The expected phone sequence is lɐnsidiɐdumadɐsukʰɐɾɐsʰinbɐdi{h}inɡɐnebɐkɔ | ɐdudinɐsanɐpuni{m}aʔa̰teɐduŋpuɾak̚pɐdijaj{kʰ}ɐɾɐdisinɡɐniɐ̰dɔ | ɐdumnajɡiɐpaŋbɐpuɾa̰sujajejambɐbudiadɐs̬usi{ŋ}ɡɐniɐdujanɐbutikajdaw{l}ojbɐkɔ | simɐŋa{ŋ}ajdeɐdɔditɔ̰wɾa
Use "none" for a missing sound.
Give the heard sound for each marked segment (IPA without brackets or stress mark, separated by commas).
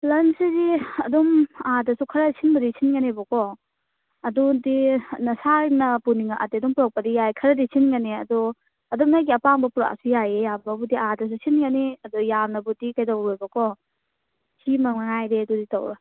s, ŋ, kʰ, n, ɾ, ŋ